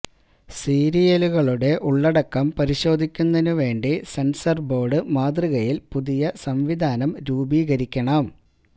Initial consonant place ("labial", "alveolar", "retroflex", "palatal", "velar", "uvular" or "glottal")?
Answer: alveolar